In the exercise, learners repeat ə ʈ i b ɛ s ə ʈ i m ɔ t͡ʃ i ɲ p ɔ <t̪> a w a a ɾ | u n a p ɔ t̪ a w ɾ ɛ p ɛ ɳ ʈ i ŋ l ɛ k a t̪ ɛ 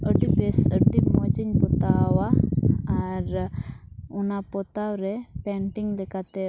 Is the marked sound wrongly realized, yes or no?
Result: no